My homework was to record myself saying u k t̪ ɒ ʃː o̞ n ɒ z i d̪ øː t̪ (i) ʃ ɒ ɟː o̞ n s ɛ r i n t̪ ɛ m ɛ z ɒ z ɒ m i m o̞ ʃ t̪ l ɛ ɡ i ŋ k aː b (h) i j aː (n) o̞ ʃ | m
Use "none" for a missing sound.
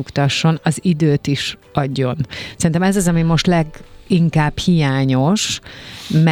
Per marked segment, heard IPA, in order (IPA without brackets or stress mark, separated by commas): i, h, ɲ